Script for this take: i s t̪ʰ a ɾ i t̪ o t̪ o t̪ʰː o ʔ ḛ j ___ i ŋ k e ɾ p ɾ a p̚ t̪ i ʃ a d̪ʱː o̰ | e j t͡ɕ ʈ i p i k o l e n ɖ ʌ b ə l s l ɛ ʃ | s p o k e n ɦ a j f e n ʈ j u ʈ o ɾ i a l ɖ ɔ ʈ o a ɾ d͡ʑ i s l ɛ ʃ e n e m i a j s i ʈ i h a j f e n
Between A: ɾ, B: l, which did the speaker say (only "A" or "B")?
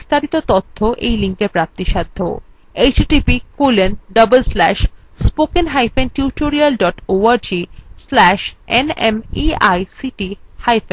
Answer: B